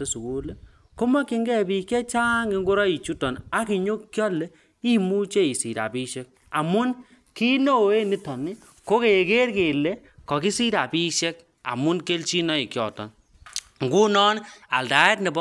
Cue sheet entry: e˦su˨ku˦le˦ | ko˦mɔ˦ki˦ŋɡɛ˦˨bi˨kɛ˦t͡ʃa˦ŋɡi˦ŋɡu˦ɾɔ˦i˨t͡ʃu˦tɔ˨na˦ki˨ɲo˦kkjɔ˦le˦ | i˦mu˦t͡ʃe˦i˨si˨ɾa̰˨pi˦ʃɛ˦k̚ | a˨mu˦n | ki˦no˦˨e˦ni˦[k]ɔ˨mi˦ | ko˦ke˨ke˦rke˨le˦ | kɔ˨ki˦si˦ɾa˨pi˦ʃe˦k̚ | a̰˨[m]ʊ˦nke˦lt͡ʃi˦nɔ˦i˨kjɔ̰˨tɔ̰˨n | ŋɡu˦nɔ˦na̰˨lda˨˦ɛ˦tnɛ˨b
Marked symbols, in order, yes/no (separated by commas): no, yes